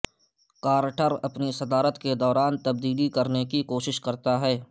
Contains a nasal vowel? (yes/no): no